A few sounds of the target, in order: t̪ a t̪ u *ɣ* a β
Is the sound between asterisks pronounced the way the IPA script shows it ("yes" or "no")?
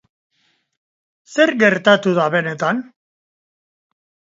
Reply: no